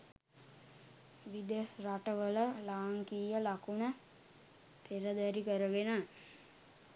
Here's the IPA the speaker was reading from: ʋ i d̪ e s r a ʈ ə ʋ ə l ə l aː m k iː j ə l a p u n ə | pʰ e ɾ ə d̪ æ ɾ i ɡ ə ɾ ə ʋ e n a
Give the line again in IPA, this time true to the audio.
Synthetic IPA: ʋ i d̪ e s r a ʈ ə ʋ ə l ə l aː ŋ k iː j ə l a k u n ə | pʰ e ɾ ə d̪ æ ɾ i k ə ɾ ə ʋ e n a